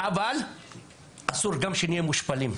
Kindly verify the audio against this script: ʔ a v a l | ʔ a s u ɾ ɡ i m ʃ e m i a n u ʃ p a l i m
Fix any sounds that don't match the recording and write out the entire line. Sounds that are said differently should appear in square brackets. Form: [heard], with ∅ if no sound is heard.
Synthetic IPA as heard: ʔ a v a l | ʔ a s u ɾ ɡ [a] m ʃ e [n] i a [m] u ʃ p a l i m